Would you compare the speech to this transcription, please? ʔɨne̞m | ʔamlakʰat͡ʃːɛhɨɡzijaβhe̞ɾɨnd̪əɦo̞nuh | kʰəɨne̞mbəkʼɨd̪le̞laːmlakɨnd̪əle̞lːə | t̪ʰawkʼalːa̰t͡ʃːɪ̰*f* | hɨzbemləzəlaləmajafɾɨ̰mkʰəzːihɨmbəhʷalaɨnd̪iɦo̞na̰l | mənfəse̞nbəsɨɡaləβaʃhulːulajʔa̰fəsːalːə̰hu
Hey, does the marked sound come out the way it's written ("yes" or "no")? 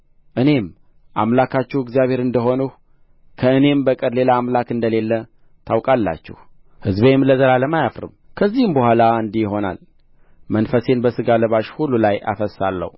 no